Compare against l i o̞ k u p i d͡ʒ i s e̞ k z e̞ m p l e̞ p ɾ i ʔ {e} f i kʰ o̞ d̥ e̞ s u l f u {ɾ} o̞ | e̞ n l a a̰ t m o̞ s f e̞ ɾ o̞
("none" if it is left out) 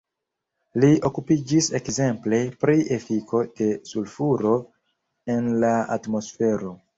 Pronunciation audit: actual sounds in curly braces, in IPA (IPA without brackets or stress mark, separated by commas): e, ɾ